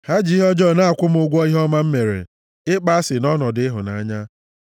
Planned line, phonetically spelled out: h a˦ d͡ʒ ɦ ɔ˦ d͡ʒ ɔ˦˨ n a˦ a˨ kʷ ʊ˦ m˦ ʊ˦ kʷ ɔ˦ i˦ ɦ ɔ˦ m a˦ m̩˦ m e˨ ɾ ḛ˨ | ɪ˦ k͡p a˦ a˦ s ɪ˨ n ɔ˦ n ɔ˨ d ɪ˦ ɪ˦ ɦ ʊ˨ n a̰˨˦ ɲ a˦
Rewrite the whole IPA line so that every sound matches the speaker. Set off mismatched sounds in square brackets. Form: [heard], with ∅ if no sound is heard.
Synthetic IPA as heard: h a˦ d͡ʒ ɦ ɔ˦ d͡ʒ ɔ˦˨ n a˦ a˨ kʷ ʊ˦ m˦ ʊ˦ [ɡʷ] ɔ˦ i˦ ɦ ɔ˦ m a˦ m̩˦ m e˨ ɾ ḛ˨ | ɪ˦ k͡p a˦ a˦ s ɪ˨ n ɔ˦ n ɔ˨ d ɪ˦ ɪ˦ ɦ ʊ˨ n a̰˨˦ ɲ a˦